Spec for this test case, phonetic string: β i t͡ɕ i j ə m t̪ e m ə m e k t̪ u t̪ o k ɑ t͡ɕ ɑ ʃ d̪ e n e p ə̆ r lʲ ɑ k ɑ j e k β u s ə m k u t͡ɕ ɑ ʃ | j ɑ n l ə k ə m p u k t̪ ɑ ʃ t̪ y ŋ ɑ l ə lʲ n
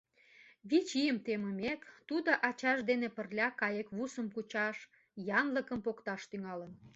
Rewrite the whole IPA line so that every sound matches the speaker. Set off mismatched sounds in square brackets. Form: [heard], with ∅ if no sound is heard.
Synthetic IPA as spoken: β i t͡ɕ i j ə m t̪ e m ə m e k t̪ u [d̪] o [ʔ] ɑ t͡ɕ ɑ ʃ d̪ e n e p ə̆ r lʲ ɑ k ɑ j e k β u s ə m k u t͡ɕ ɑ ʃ | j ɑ n l ə k ə m p [o] k t̪ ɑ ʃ t̪ y ŋ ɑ l ə [∅] n